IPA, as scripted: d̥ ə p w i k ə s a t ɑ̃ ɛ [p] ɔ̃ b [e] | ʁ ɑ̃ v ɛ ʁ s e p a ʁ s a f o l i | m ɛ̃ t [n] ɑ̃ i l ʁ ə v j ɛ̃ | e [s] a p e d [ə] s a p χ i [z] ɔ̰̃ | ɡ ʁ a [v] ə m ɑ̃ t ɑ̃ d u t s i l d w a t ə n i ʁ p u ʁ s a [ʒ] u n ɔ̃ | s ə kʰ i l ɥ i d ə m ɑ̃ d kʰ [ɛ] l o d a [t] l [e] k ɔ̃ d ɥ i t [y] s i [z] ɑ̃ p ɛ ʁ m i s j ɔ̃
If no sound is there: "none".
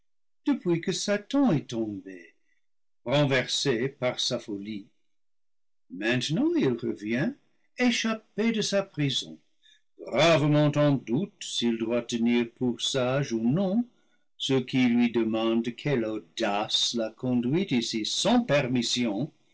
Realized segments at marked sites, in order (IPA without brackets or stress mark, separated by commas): t, e, n, ʃ, ə, z, v, ʒ, ɛ, s, a, i, s